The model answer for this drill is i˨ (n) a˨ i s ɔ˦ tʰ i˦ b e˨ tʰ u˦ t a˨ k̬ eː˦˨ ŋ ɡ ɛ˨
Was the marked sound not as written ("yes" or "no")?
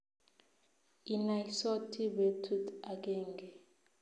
no